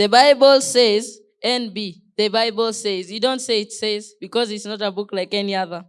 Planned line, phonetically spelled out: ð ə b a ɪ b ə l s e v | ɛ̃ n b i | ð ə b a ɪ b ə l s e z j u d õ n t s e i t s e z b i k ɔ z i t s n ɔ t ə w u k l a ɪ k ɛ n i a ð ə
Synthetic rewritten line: ð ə b a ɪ b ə l s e z | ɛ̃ n b i | ð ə b a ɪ b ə l s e z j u d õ n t s e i t s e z b i k ɔ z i t s n ɔ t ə b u k l a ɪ k ɛ n i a ð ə